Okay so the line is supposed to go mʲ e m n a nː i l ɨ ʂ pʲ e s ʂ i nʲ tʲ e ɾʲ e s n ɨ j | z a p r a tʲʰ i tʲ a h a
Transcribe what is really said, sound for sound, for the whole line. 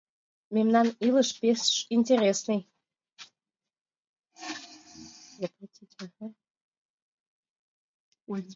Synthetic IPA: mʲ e m n a n i l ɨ ʂ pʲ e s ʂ i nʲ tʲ e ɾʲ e s n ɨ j | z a p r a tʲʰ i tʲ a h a